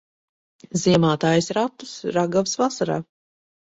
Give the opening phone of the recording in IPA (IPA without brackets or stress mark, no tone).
z